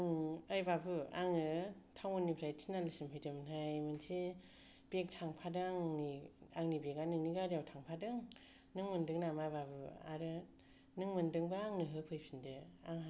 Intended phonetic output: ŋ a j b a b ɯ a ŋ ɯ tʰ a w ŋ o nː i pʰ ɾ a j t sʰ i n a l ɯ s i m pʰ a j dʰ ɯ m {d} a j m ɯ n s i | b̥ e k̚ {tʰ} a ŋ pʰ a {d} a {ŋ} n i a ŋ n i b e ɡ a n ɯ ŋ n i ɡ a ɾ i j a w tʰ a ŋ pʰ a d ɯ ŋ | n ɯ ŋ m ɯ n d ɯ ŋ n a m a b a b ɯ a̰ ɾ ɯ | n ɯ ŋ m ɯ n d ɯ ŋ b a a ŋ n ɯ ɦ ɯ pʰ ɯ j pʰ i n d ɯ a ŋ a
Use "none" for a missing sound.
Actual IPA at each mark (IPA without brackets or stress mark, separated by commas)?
n, tʰ, d, ŋ